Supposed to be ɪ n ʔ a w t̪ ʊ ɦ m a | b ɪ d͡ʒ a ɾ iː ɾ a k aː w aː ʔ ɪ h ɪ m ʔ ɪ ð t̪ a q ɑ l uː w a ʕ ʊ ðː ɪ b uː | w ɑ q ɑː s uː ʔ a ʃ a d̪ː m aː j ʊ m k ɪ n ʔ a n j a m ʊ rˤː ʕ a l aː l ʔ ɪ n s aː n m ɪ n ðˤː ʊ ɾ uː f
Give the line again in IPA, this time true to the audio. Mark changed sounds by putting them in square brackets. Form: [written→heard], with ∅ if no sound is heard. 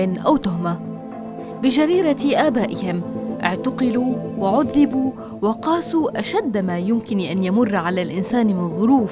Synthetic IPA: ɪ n ʔ a w t̪ ʊ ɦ m a | b ɪ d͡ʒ a ɾ iː ɾ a [k→ʔ] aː [w→b] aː ʔ ɪ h ɪ m ʔ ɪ [ð→ʕ] t̪ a q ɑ l uː w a ʕ ʊ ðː ɪ b uː | w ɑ q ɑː s uː ʔ a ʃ a d̪ː m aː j ʊ m k ɪ n ʔ a n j a m ʊ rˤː ʕ a l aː l ʔ ɪ n s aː n m ɪ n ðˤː ʊ ɾ uː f